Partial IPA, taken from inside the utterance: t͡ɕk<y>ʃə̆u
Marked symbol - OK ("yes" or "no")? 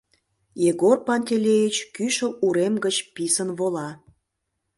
yes